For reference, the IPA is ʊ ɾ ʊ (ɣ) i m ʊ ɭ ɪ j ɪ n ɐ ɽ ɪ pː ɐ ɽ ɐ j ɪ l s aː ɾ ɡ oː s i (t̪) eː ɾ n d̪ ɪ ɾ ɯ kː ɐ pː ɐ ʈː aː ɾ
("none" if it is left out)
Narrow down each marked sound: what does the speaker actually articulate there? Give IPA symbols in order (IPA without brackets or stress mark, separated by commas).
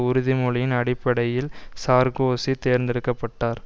ð, t̪